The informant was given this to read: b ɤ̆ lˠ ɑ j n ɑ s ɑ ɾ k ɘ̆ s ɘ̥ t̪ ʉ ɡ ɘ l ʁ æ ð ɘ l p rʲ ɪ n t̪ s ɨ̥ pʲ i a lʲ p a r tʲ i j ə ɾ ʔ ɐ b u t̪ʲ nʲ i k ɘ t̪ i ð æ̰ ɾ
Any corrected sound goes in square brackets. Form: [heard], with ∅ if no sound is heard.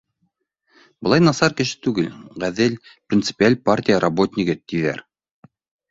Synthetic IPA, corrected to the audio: b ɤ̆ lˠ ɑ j n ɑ s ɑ ɾ k ɘ̆ [ʃ] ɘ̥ t̪ ʉ ɡ ɘ l ʁ æ ð ɘ l p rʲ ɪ n t̪ s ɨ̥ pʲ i a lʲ p a r tʲ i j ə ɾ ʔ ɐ b [o] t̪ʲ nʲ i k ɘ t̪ i ð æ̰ ɾ